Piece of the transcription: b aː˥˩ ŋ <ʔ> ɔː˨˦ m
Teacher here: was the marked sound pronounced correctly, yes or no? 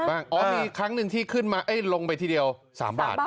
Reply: yes